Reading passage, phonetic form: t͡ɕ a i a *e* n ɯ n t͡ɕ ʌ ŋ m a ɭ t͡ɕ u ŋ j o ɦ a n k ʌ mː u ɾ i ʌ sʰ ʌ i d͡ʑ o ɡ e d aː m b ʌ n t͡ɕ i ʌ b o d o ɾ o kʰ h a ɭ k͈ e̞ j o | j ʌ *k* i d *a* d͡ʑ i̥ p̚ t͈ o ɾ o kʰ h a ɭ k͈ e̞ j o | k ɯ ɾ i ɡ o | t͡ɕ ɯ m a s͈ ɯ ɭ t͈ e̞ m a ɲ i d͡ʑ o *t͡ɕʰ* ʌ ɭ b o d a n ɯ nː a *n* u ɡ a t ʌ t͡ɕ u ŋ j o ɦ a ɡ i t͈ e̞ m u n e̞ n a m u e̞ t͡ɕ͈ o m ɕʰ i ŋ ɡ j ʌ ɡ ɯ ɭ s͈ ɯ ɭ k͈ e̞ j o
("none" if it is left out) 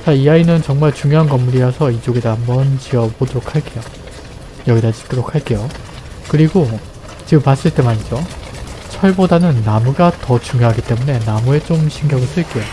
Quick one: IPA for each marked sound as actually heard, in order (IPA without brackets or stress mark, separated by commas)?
i, ɡ, a, t͡ɕʰ, m